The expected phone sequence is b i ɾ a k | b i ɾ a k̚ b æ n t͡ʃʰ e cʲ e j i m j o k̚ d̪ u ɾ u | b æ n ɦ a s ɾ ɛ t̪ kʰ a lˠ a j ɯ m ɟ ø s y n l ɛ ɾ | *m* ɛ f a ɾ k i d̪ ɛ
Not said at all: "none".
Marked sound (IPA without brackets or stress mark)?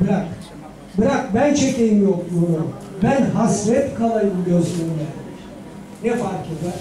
n